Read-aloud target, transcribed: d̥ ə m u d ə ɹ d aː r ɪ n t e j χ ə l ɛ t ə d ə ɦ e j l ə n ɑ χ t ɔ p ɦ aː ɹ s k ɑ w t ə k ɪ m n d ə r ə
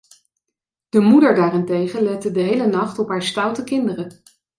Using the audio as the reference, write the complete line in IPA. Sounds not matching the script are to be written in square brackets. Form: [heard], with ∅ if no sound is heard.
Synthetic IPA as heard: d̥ ə m u d ə ɹ d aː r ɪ n t e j χ ə l ɛ t ə d ə ɦ e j l ə n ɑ χ t ɔ p ɦ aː ɹ s [t] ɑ w t ə k ɪ [∅] n d ə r ə